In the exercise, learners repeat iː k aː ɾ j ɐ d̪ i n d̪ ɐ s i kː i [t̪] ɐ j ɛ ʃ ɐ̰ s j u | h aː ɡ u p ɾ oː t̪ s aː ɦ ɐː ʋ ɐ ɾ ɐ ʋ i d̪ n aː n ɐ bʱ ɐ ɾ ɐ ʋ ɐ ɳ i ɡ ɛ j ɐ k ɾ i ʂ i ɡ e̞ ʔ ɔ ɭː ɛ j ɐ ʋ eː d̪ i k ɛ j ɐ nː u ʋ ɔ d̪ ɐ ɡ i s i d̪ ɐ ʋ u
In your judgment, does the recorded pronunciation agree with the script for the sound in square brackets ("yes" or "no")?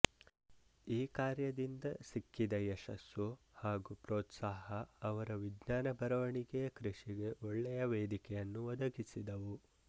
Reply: no